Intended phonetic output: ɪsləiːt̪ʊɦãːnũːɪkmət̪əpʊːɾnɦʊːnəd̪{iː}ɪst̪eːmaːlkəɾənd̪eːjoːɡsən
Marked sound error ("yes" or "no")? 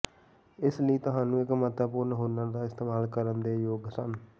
yes